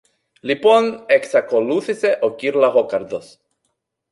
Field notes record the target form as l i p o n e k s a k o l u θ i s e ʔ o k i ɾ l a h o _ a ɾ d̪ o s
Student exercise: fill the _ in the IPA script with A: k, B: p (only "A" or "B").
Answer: A